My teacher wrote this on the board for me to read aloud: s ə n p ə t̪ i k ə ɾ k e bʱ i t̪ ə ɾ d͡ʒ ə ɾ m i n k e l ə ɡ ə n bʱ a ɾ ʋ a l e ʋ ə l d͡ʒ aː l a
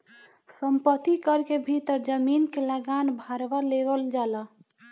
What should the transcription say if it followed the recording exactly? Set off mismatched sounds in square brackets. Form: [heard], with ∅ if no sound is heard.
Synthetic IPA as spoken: s ə [m] p ə t̪ i k ə ɾ k e bʱ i t̪ ə ɾ d͡ʒ ə [∅] m i n k e l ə ɡ [a] n bʱ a ɾ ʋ a l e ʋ ə l d͡ʒ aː l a